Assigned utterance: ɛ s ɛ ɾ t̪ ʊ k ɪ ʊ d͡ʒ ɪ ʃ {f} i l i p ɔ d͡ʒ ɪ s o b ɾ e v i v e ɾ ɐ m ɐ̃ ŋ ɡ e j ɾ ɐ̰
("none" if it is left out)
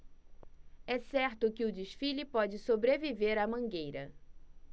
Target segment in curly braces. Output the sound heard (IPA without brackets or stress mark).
f